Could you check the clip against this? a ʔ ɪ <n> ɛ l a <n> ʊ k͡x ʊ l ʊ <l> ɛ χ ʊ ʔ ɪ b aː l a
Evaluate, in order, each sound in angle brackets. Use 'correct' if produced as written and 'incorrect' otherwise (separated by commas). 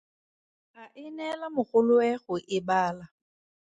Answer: correct, incorrect, incorrect